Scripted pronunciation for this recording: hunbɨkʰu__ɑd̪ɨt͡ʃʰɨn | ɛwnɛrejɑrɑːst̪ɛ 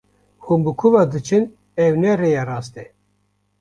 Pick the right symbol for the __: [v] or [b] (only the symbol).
v